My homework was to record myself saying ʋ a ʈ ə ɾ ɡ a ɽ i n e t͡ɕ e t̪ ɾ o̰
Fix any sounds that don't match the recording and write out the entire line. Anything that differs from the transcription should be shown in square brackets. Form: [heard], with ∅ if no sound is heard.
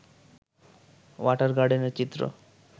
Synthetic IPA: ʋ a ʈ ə ɾ ɡ a ɽ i n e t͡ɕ [i] t̪ ɾ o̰